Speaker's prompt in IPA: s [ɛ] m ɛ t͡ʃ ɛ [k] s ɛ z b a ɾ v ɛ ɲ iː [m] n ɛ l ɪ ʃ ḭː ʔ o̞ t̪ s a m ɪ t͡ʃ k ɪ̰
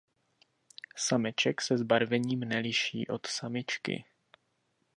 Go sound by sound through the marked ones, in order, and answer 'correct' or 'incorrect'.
incorrect: a, correct, correct

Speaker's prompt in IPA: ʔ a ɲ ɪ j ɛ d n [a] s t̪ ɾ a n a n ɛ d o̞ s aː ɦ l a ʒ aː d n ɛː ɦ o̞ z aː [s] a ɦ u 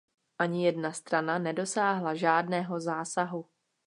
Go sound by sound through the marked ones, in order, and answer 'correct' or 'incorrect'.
correct, correct

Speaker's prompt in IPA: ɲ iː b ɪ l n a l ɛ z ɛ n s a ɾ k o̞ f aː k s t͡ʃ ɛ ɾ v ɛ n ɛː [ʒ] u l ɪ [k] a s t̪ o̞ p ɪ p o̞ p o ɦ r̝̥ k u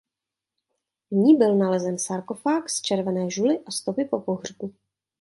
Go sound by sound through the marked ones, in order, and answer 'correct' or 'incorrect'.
correct, incorrect: ʔ

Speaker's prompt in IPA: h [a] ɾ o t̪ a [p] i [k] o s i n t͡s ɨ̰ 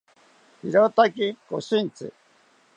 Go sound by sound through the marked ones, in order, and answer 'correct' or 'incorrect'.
incorrect: i, incorrect: k, correct

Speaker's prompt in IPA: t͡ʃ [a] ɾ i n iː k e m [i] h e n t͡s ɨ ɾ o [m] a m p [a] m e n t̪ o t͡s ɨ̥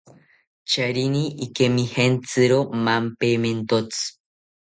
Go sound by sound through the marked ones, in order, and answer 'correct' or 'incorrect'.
correct, correct, correct, incorrect: e

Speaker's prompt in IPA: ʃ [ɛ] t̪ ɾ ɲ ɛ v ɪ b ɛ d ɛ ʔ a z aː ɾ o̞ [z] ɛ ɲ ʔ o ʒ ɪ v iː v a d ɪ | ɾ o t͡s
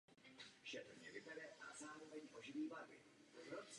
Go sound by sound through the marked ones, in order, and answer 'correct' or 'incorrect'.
correct, incorrect: v

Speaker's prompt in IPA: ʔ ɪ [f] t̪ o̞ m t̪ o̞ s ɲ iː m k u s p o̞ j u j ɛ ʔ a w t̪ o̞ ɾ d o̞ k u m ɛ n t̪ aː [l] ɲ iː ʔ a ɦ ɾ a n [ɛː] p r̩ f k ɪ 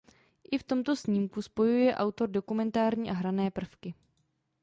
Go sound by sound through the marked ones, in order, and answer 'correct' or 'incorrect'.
correct, incorrect: ɾ, correct

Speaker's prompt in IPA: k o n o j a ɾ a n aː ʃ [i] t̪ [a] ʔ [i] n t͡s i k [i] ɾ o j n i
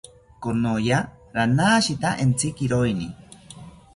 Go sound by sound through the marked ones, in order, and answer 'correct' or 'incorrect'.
correct, correct, incorrect: e, correct

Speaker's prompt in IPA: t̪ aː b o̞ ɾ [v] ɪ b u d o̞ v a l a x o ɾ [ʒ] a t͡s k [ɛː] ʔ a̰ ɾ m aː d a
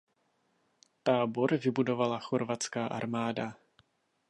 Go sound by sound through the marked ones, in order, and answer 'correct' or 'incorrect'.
correct, incorrect: v, incorrect: aː

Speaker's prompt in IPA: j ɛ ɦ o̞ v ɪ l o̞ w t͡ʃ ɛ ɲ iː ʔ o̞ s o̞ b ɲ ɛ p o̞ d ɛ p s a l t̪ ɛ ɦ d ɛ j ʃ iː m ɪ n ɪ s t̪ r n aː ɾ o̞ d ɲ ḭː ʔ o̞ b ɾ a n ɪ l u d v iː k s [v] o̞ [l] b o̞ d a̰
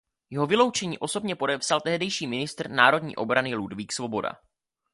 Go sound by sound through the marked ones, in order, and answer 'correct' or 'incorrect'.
correct, incorrect: none

